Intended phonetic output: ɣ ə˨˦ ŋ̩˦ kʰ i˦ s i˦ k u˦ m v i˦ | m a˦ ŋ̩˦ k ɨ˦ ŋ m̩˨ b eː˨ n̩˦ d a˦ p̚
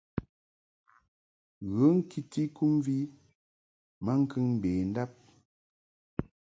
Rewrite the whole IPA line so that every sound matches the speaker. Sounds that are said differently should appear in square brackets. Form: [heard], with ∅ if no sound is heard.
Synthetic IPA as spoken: ɣ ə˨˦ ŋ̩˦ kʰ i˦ [t] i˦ k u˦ m v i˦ | m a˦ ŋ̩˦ k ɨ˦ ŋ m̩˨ b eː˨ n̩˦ d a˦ p̚